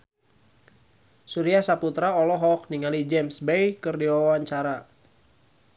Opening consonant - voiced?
no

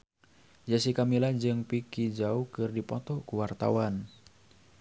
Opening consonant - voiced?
yes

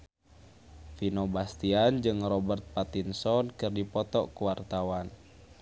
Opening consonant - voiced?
no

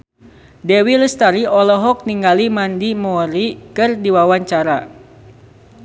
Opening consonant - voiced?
yes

